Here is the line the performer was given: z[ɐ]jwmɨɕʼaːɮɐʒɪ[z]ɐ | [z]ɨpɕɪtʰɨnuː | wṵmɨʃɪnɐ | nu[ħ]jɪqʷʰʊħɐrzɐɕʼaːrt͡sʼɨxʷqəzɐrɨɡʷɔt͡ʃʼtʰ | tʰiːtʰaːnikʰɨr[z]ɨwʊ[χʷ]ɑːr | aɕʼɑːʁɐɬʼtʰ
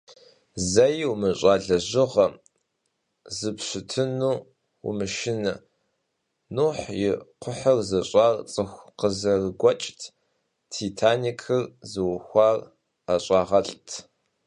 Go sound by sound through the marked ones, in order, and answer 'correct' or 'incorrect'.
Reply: correct, incorrect: ʁ, correct, correct, correct, incorrect: xʷ

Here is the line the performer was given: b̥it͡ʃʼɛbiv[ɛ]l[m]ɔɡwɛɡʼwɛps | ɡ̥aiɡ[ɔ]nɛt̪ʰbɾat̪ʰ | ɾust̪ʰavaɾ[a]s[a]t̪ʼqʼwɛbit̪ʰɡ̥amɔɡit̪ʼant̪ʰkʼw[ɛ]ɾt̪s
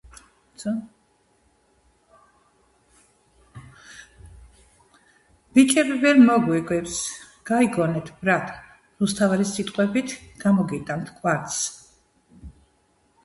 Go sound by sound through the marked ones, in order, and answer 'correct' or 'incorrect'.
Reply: correct, correct, correct, incorrect: i, incorrect: i, incorrect: a

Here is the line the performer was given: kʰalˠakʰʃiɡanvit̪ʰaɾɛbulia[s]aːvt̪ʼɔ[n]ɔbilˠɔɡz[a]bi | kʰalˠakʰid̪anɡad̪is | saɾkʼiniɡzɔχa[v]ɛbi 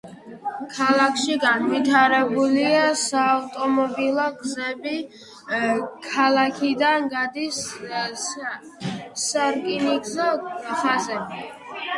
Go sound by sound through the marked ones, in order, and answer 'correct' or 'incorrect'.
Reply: correct, incorrect: m, incorrect: ɛ, incorrect: z

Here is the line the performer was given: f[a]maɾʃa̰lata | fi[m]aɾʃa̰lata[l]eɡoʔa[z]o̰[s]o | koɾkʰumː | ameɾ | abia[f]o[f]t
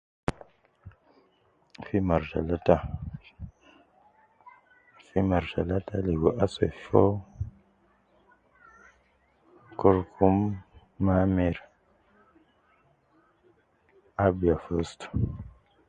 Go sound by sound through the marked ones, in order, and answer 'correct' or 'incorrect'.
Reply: incorrect: i, correct, correct, incorrect: s, incorrect: f, correct, incorrect: s

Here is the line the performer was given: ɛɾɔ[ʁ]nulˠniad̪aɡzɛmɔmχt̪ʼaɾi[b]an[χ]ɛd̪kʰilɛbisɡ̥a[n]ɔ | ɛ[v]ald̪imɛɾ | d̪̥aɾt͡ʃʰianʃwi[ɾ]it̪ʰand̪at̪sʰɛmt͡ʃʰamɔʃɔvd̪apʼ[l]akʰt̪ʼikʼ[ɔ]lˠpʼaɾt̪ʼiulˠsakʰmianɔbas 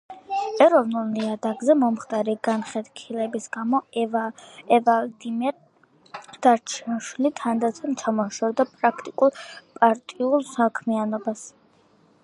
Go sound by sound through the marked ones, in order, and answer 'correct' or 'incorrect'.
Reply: incorrect: v, incorrect: ɡ, correct, incorrect: m, correct, incorrect: l, incorrect: ɾ, incorrect: u

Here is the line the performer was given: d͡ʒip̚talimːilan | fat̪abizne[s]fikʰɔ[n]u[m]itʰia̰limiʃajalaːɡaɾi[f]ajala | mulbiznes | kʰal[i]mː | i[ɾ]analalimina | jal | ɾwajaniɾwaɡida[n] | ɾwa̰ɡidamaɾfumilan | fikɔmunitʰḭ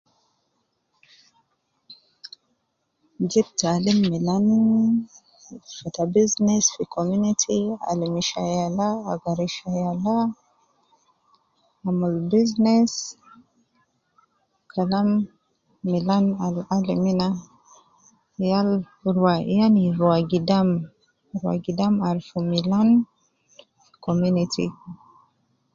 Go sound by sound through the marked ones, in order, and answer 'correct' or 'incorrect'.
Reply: correct, incorrect: m, incorrect: n, incorrect: ʃ, incorrect: a, incorrect: l, incorrect: m

